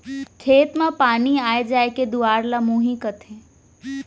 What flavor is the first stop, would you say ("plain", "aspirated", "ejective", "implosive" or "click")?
aspirated